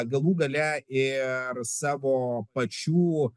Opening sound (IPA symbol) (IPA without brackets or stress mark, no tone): ɡ